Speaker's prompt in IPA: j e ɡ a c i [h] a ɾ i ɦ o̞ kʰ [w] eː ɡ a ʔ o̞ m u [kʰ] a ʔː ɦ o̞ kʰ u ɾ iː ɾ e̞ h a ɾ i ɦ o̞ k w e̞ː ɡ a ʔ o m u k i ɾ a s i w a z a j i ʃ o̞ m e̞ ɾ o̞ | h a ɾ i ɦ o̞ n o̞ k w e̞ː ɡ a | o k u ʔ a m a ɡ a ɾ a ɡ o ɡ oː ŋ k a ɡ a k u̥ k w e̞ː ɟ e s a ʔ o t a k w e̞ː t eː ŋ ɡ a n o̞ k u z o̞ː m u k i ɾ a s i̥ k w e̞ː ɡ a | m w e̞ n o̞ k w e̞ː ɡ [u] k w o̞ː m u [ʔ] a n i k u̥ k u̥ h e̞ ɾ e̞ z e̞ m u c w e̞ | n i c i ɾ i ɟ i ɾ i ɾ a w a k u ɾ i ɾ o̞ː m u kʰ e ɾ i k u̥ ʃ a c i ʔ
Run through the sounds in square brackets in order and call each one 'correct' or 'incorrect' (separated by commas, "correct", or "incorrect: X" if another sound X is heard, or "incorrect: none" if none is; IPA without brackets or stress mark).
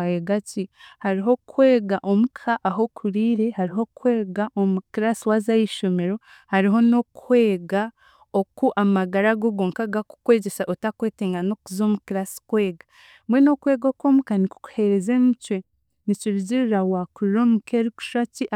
correct, correct, correct, incorrect: o, incorrect: k